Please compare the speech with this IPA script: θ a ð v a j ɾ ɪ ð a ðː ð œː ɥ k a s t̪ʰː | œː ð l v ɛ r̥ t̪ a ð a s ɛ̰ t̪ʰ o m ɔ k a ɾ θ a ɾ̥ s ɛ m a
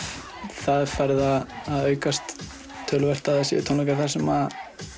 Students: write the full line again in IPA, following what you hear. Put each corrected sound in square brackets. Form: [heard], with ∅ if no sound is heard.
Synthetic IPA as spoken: θ a ð [f] a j ɾ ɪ ð a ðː ð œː ɥ k a s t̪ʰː | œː [∅] l v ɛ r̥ t̪ a ð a s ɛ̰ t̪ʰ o [n] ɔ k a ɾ θ a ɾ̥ s ɛ m a